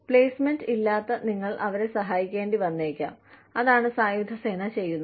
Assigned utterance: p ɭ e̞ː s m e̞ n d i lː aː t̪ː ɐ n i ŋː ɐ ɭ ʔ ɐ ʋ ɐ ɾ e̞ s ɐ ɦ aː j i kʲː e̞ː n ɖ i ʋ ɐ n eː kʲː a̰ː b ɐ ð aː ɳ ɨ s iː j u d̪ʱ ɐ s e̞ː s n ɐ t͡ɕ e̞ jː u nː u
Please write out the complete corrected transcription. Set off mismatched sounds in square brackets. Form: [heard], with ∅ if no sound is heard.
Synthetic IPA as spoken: p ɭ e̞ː s m e̞ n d i lː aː t̪ː ɐ n i ŋː ɐ ɭ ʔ ɐ ʋ ɐ ɾ e̞ s ɐ ɦ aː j i kʲː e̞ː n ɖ i ʋ ɐ [nː] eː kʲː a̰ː [m] ɐ ð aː ɳ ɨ s [aː] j u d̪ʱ ɐ s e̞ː [∅] n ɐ t͡ɕ e̞ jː u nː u